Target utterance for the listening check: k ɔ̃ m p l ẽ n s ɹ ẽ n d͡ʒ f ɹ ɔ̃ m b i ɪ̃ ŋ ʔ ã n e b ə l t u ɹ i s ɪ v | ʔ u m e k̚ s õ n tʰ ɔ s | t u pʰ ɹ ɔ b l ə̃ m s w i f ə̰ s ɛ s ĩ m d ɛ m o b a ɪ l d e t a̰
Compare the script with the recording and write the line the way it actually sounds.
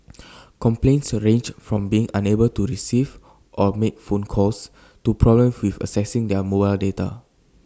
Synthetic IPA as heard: k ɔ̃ m p l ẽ n s ɹ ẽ n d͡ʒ f ɹ ɔ̃ m b i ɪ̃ ŋ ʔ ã n e b ə l t u ɹ i s i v | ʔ ɔ m e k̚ f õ n kʰ ɔ s | t u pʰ ɹ ɔ b l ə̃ m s w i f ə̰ s ɛ s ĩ ŋ d ɛ m o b a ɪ l d e t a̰